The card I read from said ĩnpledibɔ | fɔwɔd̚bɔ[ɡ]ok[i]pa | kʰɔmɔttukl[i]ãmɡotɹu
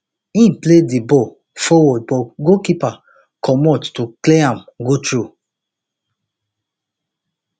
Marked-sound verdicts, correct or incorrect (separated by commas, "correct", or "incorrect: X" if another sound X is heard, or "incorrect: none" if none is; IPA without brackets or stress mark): correct, correct, incorrect: e